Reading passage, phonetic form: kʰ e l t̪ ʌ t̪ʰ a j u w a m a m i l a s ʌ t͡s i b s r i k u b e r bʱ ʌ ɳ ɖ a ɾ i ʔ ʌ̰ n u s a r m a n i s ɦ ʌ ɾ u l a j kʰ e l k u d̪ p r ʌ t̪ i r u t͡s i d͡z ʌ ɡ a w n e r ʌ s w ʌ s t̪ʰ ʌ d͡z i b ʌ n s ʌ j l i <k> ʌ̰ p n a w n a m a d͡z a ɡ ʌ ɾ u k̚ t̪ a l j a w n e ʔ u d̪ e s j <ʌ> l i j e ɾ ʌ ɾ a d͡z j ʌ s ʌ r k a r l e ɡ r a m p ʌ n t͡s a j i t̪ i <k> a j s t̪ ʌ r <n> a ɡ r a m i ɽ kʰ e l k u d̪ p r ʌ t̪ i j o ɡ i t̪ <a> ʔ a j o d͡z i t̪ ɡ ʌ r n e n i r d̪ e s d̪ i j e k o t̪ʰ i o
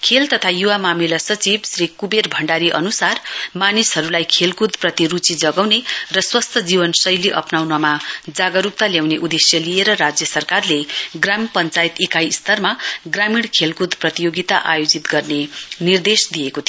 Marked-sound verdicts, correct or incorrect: incorrect: ʔ, correct, correct, incorrect: m, correct

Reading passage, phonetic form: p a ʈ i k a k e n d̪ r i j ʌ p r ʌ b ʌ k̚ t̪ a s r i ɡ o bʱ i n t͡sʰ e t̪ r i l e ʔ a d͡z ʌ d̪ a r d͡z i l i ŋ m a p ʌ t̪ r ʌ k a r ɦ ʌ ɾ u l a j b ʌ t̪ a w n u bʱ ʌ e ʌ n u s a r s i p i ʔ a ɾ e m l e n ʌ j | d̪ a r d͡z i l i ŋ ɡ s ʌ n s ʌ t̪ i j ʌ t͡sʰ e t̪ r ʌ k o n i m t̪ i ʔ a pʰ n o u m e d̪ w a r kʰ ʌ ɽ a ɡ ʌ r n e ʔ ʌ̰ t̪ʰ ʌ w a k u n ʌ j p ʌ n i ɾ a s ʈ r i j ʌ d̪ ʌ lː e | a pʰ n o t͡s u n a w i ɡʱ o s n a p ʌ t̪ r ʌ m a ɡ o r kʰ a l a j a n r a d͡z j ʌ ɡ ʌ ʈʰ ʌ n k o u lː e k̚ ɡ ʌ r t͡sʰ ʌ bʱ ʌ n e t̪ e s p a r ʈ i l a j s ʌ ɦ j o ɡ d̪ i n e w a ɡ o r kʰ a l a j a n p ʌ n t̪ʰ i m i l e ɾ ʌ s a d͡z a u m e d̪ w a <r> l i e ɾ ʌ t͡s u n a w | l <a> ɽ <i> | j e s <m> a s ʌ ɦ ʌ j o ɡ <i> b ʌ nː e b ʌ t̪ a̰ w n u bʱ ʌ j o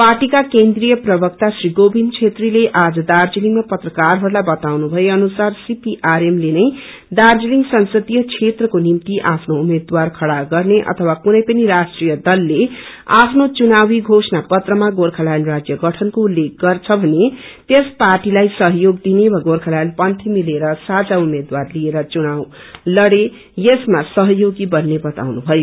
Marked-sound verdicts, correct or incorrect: correct, incorrect: ʌ, incorrect: e, correct, correct

